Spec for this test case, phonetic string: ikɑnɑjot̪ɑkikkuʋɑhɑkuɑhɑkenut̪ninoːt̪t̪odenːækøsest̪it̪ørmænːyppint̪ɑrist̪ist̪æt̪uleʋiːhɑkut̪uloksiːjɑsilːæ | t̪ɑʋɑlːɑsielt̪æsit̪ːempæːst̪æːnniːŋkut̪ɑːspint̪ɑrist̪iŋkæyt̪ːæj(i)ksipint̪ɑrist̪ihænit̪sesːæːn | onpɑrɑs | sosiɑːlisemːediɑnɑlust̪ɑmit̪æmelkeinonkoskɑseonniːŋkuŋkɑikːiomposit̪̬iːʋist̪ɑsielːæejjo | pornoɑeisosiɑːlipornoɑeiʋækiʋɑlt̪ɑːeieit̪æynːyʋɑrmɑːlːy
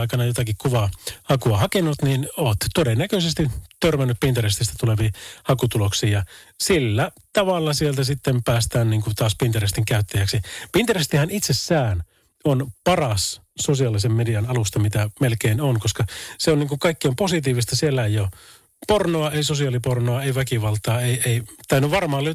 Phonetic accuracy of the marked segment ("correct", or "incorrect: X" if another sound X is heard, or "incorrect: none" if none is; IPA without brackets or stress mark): incorrect: æ